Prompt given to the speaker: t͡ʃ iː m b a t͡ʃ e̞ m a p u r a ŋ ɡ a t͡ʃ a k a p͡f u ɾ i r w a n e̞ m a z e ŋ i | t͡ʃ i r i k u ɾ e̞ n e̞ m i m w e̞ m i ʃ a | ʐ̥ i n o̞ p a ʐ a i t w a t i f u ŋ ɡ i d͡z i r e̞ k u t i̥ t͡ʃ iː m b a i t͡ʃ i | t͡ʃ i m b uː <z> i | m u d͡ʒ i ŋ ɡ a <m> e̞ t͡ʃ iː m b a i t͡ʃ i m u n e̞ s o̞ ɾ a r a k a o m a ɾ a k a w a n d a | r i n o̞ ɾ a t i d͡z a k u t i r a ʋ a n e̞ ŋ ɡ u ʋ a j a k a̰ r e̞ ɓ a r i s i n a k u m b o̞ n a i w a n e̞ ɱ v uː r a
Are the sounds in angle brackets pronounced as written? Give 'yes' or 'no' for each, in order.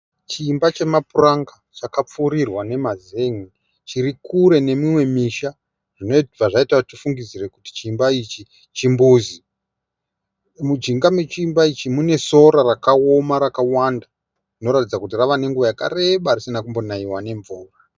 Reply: yes, yes

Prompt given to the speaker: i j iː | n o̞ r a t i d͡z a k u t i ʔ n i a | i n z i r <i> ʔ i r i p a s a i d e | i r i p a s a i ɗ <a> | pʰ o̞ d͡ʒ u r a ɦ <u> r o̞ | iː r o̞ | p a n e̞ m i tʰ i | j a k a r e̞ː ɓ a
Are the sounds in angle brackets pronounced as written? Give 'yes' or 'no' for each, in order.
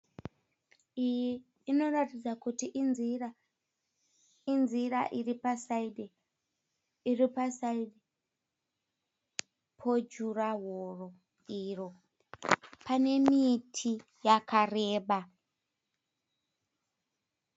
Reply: no, no, no

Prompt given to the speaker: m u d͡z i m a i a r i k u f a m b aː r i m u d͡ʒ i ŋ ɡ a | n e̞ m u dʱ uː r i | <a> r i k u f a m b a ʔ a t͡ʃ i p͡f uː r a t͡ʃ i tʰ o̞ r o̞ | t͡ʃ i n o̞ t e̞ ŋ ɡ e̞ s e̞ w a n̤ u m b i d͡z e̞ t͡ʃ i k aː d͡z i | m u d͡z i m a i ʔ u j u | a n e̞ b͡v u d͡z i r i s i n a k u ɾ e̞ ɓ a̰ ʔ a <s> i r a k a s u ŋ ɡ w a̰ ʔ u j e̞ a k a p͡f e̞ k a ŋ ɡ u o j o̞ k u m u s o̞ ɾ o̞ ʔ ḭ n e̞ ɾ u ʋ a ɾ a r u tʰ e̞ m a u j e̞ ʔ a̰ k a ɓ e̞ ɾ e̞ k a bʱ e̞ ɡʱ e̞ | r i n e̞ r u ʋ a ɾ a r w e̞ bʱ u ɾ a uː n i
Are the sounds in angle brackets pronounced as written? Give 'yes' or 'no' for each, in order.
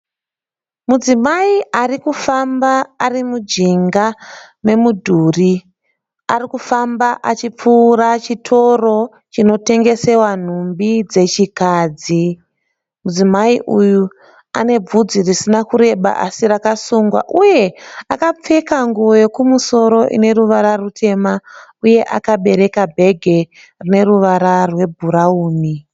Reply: yes, yes

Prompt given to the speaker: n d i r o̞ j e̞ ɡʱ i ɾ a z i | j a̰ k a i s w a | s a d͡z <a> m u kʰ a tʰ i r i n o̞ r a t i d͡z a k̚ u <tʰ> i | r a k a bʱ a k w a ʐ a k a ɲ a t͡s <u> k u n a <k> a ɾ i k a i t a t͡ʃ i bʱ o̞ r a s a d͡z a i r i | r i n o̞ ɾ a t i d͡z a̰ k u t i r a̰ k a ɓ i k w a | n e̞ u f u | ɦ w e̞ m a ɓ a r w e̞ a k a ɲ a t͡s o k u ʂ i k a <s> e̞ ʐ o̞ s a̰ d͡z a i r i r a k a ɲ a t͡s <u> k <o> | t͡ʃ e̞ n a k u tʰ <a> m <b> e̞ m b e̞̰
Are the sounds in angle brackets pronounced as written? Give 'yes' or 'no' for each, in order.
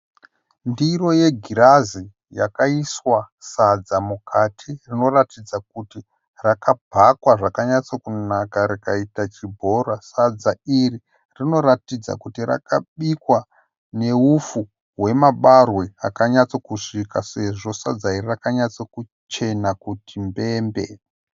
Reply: yes, no, no, yes, yes, no, no, no, yes

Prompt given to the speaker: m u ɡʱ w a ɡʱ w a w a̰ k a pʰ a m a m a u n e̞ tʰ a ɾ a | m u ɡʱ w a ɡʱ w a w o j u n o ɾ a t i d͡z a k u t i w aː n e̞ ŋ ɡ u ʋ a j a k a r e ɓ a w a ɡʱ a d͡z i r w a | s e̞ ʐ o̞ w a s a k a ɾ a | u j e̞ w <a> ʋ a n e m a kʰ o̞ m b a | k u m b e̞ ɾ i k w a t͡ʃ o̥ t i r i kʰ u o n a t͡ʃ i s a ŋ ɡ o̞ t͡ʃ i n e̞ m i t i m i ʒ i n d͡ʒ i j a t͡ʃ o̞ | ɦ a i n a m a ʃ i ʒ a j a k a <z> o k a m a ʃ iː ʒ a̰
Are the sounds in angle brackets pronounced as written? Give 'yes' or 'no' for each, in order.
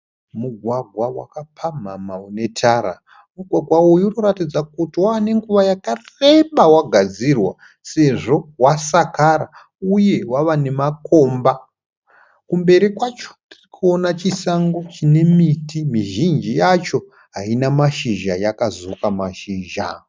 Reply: yes, yes

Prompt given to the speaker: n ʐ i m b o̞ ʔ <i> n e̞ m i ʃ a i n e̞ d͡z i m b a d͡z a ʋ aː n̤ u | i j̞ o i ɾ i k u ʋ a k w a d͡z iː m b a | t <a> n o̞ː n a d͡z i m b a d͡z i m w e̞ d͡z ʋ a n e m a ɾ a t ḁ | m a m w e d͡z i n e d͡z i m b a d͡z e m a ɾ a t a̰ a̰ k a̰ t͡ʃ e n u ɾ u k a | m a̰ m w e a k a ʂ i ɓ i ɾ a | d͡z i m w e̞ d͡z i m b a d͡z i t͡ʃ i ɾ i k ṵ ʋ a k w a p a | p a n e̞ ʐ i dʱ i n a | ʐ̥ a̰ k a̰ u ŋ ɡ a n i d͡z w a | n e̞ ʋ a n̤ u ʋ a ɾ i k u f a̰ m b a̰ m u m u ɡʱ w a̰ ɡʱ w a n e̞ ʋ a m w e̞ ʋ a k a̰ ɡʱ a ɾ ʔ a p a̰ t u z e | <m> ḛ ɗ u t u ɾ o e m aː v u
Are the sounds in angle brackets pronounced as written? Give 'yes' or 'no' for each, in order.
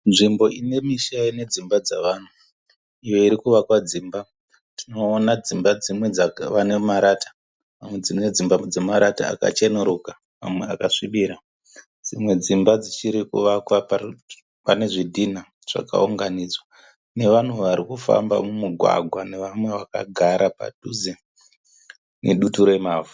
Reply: yes, no, no

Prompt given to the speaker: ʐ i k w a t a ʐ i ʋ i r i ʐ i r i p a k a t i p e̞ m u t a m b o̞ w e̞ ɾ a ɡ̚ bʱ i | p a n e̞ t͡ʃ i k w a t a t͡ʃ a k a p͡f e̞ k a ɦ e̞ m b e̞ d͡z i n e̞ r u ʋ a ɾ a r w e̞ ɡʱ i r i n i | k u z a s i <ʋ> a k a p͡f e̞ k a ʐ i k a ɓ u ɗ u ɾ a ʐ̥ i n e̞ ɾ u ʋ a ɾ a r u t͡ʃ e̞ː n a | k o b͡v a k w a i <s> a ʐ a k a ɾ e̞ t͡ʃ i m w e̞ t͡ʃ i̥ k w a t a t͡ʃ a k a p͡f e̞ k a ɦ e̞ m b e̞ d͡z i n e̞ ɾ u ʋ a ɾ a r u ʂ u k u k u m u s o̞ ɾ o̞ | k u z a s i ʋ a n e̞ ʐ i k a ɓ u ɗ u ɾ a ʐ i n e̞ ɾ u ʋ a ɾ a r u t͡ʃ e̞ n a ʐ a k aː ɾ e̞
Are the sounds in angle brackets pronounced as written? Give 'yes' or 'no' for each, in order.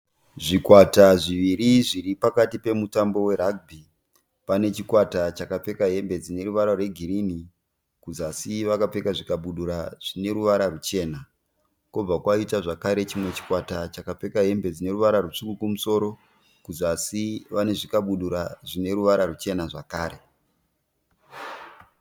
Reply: yes, no

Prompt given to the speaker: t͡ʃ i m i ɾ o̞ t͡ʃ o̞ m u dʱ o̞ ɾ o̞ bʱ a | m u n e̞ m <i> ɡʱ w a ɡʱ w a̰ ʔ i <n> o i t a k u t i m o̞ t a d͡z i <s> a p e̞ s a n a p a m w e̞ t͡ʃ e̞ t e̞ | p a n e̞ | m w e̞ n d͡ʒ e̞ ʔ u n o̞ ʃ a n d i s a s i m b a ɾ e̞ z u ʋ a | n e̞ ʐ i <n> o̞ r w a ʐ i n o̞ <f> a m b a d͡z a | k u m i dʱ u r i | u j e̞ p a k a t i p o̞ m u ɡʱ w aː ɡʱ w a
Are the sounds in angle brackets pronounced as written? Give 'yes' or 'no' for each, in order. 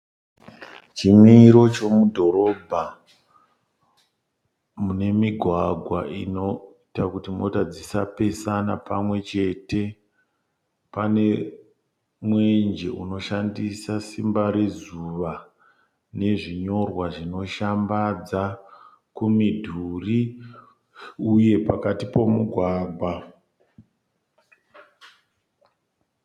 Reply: yes, yes, yes, no, no

